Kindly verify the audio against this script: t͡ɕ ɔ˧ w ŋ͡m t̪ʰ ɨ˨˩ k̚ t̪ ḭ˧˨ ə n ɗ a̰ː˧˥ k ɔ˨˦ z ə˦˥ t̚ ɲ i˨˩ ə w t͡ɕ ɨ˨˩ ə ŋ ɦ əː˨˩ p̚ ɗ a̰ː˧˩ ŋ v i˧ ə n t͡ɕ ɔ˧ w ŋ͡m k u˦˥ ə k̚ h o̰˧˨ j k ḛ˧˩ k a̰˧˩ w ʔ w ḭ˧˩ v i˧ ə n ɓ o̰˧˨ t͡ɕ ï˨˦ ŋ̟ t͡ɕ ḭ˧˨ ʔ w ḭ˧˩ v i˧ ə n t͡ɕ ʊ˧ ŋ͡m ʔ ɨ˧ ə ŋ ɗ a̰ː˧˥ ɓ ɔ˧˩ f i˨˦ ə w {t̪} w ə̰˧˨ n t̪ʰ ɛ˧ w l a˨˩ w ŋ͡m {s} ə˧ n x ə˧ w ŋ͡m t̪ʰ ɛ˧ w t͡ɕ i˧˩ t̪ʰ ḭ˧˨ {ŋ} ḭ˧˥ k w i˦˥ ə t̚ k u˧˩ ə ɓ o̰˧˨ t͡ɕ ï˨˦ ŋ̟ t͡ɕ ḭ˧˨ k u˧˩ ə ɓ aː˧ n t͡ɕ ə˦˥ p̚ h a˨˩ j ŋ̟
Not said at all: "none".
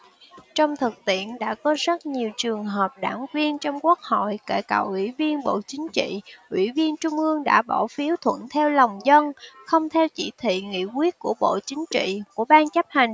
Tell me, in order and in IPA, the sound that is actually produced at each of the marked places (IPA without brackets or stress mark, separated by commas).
t̪ʰ, z, ŋ